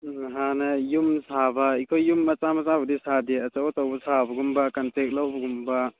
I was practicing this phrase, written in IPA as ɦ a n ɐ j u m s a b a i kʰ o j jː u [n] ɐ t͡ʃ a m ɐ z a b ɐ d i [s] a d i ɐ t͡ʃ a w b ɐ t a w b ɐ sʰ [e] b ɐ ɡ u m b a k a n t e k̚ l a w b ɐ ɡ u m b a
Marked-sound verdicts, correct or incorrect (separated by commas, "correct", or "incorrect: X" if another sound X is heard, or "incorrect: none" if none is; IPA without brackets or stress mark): incorrect: m, correct, incorrect: a